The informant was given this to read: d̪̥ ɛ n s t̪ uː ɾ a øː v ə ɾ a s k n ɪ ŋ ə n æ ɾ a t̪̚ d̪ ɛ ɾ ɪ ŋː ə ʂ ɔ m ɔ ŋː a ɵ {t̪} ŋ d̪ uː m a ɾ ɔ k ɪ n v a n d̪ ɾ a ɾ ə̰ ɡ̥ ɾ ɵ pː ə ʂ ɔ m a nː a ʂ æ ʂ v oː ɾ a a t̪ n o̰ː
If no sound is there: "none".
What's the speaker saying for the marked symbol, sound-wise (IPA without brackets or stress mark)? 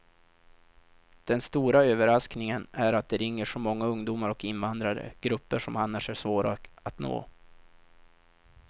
none